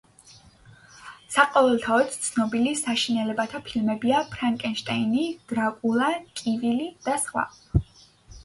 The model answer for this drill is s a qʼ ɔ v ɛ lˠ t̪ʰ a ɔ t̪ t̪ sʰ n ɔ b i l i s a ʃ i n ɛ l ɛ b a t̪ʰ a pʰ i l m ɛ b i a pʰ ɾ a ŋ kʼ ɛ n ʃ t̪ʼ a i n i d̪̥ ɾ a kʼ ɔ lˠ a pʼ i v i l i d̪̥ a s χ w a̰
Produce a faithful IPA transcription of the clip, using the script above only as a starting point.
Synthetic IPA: s a qʼ ɔ v ɛ lˠ t̪ʰ a ɔ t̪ t̪ sʰ n ɔ b i l i s a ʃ i n ɛ l ɛ b a t̪ʰ a pʰ i l m ɛ b i a pʰ ɾ a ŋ kʼ ɛ n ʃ t̪ʼ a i n i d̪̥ ɾ a kʼ u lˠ a kʼ i v i l i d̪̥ a s χ w a̰